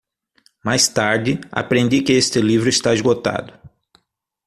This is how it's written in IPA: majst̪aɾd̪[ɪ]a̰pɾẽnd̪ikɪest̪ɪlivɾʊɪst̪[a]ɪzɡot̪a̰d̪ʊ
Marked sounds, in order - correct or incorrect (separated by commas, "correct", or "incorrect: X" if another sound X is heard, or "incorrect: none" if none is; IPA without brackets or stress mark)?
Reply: correct, correct